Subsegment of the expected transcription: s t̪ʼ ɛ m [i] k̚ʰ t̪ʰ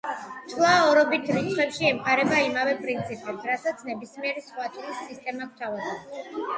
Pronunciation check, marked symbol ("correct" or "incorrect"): incorrect